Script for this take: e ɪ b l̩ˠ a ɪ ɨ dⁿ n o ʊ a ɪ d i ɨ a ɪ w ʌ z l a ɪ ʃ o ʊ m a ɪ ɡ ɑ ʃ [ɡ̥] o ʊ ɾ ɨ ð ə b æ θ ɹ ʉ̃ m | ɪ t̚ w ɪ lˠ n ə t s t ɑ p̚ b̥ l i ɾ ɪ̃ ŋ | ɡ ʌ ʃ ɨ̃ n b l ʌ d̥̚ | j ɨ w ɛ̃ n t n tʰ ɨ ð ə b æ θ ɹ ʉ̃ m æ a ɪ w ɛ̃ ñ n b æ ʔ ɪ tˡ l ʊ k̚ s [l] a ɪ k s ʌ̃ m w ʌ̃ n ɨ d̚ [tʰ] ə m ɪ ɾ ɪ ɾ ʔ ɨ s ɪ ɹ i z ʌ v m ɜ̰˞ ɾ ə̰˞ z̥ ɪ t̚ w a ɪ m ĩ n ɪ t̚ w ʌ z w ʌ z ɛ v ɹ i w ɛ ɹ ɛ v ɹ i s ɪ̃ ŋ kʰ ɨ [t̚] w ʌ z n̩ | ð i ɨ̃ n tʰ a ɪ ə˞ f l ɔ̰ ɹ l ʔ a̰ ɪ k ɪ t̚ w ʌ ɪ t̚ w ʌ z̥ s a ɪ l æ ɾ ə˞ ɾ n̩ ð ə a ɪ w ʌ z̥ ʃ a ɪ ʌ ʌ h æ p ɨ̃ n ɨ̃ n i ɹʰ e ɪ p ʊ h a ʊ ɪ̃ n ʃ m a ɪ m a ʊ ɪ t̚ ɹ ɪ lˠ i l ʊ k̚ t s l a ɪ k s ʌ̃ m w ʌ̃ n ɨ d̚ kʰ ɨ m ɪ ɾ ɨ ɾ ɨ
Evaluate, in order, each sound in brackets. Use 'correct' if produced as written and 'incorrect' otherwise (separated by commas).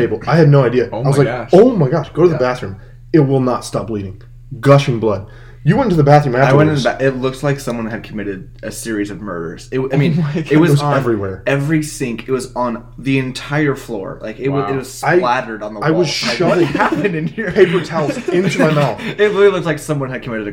correct, correct, incorrect, correct